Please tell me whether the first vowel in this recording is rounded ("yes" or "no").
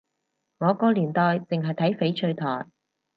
yes